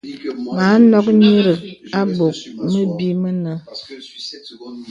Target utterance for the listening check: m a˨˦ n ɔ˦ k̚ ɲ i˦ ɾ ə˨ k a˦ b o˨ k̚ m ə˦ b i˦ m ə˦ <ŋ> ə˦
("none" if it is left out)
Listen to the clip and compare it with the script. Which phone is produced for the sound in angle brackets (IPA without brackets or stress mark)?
n